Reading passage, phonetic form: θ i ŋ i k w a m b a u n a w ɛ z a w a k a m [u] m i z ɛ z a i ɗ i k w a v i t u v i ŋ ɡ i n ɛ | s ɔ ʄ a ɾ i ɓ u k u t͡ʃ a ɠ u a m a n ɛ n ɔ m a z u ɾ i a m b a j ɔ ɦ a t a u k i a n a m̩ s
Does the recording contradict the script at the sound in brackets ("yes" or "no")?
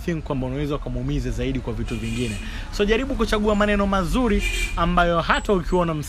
no